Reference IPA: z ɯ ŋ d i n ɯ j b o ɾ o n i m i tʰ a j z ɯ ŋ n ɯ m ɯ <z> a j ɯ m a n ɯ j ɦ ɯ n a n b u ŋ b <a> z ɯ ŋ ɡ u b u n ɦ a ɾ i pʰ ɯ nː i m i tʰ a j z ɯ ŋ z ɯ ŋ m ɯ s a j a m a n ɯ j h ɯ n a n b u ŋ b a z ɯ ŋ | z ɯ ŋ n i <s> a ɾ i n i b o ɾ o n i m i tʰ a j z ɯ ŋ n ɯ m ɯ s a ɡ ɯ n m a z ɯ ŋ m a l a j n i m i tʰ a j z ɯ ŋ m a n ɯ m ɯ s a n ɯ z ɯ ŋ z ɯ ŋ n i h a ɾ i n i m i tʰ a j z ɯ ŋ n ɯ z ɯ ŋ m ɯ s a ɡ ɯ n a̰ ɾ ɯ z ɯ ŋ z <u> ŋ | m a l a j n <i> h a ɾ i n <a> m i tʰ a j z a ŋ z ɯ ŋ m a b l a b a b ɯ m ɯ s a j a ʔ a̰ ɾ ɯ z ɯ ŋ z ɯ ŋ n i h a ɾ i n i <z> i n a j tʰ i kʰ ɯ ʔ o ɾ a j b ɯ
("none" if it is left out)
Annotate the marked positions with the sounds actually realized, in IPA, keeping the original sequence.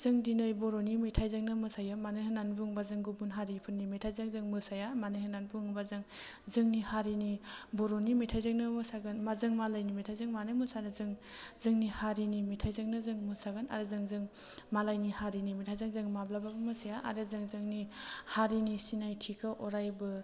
s, a, h, ɯ, i, i, s

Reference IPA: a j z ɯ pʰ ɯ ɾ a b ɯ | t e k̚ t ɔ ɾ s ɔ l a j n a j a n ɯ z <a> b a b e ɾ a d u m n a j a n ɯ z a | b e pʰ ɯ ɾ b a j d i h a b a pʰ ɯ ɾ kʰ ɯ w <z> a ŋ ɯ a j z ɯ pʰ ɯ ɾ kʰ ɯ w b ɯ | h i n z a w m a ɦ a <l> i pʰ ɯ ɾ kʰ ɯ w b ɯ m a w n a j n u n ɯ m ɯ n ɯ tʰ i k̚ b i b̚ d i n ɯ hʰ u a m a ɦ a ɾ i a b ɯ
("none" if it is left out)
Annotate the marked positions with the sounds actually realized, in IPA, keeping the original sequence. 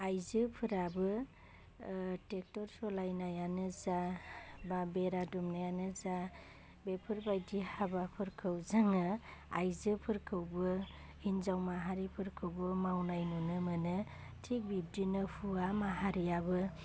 a, z, ɾ

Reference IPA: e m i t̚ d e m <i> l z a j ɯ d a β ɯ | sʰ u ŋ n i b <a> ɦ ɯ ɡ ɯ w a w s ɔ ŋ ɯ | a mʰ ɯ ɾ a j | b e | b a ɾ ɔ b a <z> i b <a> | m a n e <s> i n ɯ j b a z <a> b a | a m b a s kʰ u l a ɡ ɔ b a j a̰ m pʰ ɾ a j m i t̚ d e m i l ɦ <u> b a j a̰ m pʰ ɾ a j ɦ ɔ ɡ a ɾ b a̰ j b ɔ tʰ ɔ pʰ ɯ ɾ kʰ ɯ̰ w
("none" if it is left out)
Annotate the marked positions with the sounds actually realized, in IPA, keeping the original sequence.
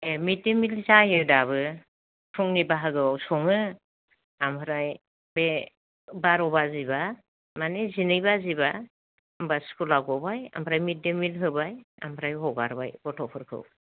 i, a, z, a, z, i, ɯ

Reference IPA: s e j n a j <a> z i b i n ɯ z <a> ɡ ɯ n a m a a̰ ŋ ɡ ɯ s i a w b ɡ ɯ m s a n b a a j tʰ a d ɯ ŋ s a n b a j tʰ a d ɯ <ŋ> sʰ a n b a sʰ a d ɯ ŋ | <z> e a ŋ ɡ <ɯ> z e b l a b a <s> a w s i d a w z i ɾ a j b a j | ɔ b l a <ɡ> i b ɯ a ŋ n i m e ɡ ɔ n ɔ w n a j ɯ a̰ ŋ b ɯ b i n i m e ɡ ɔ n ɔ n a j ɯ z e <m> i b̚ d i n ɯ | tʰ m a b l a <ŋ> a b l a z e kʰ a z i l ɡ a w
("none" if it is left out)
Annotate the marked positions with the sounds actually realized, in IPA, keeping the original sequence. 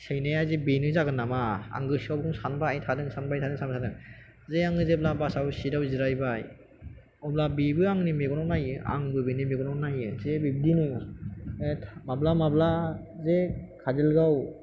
a, a, ŋ, z, ɯ, s, b, b, m

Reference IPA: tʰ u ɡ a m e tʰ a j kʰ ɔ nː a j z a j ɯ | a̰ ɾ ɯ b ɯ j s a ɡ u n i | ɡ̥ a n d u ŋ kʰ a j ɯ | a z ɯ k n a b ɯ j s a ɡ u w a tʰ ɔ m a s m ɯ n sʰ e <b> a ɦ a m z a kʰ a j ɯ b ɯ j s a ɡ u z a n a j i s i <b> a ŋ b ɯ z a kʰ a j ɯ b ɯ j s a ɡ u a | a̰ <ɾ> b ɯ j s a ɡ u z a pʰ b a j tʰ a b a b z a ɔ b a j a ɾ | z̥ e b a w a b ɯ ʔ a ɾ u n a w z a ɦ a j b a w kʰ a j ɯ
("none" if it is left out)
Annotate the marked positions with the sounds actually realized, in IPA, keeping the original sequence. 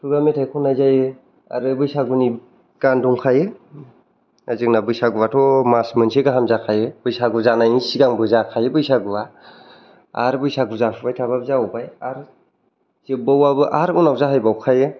ɡ, ɡ, ɾ

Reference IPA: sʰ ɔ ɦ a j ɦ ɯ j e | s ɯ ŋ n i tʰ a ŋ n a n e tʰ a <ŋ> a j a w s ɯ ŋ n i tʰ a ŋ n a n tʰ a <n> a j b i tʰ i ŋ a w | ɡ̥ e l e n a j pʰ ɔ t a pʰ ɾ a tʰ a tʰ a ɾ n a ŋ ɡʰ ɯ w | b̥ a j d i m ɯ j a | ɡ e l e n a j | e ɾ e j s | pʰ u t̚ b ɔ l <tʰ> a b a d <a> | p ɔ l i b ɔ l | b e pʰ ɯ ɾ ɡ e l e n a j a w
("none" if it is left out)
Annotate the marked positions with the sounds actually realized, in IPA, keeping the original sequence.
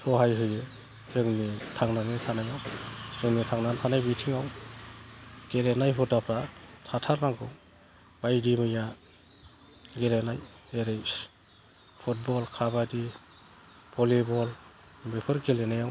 n, n, kʰ, i

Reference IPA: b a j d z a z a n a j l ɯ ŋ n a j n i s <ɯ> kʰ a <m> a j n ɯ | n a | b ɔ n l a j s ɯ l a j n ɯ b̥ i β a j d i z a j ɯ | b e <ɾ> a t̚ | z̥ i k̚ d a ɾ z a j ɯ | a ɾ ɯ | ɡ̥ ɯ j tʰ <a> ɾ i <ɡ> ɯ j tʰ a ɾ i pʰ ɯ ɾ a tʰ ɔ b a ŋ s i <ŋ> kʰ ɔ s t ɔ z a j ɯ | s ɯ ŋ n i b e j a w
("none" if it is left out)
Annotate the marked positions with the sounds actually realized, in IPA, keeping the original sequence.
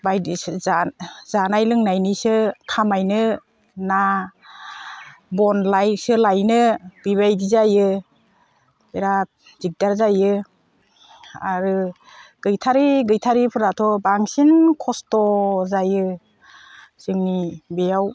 ɯ, m, ɾ, a, ɡ, n

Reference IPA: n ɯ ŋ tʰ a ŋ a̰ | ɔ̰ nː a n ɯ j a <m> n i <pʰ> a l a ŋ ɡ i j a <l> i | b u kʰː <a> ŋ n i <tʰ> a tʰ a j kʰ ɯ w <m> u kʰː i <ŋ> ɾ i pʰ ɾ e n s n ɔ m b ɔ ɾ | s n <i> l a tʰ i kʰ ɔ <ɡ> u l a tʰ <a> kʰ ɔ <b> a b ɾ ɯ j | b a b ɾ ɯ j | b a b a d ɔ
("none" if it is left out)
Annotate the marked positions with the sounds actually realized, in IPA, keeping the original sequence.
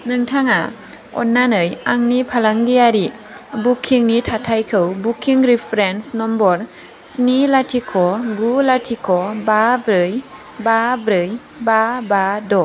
ŋ, pʰ, ɾ, i, tʰ, b, ŋ, i, ɡ, i, b

